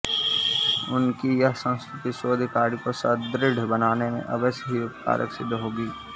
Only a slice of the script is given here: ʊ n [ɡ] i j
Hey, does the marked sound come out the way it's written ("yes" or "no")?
no